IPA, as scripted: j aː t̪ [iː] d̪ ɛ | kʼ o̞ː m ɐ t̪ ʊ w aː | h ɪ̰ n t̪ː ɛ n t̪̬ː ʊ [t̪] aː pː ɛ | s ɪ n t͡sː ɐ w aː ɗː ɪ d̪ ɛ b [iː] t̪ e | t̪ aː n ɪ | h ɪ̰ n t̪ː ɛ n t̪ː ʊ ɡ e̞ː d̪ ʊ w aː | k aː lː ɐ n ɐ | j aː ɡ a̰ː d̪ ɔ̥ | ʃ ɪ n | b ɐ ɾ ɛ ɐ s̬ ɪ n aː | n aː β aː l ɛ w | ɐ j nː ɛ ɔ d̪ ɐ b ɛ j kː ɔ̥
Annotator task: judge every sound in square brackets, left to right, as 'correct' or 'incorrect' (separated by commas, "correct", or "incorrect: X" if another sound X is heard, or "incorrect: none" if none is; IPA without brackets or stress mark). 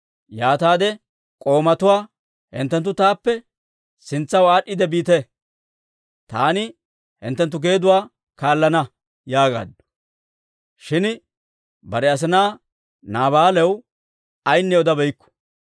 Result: incorrect: aː, correct, correct